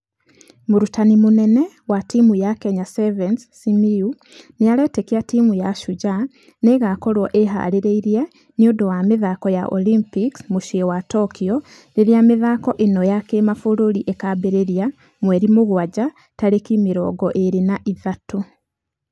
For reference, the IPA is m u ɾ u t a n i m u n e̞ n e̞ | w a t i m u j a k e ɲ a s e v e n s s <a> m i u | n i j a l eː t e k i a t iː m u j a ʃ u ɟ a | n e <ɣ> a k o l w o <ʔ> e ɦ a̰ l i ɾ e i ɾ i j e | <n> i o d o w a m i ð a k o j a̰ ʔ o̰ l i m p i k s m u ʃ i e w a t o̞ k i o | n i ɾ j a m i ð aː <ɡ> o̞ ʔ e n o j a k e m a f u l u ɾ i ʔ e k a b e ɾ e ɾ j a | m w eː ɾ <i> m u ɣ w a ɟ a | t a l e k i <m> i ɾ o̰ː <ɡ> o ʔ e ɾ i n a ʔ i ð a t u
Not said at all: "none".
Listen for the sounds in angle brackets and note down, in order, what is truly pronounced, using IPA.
i, ɣ, ʔ, n, k, i, m, ɡ

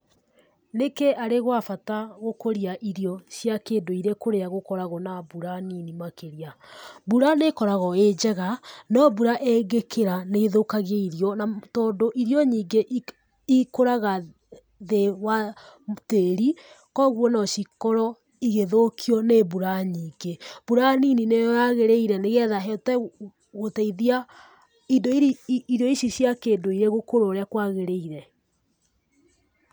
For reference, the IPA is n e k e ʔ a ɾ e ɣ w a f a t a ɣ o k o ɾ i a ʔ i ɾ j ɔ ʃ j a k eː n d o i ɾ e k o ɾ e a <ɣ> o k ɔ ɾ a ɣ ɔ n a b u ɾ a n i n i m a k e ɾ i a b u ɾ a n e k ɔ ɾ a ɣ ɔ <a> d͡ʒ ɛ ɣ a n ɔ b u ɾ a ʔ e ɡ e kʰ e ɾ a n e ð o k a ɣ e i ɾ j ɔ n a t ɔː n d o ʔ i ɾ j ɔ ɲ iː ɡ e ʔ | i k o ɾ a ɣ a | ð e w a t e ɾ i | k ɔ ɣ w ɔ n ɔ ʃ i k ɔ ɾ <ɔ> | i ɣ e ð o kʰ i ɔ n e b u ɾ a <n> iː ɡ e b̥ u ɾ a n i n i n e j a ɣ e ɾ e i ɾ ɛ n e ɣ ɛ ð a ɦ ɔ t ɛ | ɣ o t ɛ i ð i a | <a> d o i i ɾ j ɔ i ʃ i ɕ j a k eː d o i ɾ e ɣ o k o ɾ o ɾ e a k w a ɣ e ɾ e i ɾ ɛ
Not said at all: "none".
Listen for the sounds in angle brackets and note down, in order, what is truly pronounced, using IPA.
ɣ, e, ɔ, ɲ, i

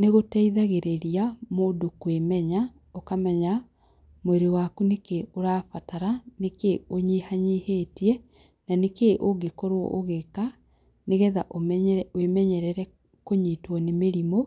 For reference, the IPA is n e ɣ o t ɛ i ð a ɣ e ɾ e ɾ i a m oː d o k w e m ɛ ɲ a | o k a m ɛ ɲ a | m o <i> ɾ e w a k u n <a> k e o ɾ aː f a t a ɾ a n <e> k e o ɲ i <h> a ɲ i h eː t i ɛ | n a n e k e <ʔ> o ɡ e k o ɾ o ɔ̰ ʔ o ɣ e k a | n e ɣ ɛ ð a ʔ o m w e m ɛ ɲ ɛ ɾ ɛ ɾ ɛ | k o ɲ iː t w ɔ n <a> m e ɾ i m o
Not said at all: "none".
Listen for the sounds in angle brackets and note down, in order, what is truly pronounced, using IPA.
e, e, e, h, ʔ, e

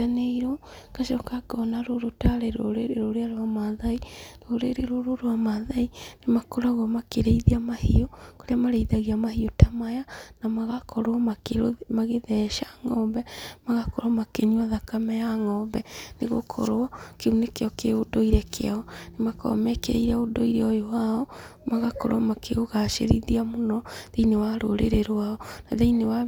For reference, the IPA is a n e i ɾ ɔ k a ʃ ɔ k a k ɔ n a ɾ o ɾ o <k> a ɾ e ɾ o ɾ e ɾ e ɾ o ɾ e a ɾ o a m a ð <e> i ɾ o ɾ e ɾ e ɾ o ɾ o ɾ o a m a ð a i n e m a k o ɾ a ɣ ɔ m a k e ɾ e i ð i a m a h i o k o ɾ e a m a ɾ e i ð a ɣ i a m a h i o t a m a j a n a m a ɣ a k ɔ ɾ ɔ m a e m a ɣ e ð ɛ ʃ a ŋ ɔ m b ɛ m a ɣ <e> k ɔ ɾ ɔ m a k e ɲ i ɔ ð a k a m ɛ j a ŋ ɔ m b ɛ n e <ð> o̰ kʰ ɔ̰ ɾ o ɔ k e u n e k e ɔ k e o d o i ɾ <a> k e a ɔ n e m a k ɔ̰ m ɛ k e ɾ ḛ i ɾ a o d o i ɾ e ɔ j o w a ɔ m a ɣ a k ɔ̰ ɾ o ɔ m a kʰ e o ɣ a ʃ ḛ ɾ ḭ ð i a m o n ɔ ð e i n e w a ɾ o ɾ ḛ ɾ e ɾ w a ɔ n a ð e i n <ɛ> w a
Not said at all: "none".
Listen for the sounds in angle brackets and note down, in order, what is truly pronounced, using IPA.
t, a, a, ɣ, ɛ, e

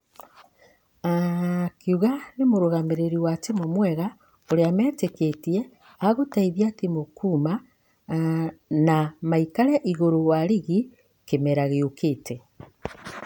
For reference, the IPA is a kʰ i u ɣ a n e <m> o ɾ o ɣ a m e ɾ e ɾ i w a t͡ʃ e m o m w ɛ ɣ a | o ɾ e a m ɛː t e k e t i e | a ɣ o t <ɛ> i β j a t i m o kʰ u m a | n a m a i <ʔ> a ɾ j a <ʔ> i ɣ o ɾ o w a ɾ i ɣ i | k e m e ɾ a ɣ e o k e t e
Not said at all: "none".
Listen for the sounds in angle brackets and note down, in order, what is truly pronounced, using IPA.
m, a, k, ʔ

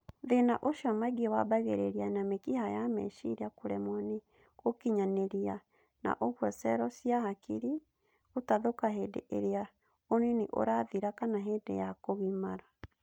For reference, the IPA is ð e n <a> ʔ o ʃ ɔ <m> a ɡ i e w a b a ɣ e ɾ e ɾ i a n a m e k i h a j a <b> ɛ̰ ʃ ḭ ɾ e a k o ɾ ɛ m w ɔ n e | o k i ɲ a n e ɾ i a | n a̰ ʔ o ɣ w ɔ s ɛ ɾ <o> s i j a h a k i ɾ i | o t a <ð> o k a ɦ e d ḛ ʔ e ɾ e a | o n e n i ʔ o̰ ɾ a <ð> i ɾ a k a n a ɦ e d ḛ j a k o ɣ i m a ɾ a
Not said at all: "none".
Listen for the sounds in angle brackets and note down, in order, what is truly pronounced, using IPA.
a, m, m, ɔ, ð, ð

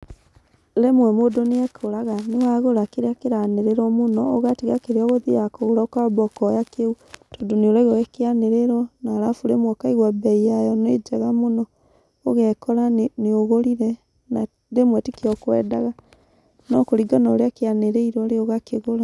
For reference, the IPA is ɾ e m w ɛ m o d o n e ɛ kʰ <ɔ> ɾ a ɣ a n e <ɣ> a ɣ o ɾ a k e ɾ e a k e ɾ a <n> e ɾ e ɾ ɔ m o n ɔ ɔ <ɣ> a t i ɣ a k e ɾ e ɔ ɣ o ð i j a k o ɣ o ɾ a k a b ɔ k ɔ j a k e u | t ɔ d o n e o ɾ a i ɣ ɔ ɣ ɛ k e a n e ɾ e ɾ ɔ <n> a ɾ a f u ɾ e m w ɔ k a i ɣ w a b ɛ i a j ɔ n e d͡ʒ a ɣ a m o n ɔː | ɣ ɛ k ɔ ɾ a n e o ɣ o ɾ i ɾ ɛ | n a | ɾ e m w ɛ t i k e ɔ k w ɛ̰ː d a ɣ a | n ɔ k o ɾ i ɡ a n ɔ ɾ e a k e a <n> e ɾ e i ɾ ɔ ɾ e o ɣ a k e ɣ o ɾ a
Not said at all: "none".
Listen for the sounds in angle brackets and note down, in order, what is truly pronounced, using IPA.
o, w, n, ɣ, n, n

